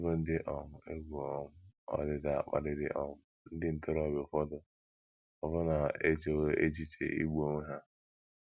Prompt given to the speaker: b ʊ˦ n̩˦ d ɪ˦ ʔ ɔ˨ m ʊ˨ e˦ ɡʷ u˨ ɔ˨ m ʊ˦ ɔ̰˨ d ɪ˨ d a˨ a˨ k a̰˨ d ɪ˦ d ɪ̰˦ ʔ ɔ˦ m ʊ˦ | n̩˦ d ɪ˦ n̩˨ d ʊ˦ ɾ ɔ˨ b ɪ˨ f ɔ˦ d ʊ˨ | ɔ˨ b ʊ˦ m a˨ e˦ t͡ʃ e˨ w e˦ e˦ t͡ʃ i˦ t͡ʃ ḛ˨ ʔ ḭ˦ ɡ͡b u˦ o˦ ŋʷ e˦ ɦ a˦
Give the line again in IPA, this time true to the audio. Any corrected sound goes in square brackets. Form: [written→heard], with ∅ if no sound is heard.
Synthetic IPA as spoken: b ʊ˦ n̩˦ d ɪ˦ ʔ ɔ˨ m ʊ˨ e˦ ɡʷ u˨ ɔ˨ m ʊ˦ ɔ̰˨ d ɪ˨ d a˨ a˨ [k→k͡p] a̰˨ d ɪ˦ d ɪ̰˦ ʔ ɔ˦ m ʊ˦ | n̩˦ d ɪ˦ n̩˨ [d→t] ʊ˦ ɾ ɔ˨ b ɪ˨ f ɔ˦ d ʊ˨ | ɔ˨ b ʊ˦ [m→n] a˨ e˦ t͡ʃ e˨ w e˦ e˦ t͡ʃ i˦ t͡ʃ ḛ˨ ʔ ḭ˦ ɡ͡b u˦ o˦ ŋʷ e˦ ɦ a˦